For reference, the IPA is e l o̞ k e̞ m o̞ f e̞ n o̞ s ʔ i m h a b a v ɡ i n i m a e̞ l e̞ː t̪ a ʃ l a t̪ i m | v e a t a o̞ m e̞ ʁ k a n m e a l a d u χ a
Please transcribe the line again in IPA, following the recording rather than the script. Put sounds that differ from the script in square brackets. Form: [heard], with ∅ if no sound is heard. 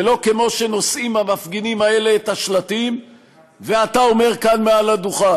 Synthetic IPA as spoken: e l o̞ k e̞ m o̞ [ʃ] e̞ n o̞ s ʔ i m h a [m] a [f] ɡ i n i m a e̞ l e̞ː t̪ a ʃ l a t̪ i m | v e a t a o̞ m e̞ ʁ k a n m e a l a d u χ a